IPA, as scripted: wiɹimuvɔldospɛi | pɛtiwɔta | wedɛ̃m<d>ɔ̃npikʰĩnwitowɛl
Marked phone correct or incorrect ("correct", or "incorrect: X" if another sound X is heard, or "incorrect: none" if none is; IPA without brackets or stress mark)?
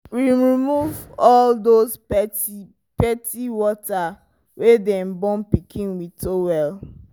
incorrect: b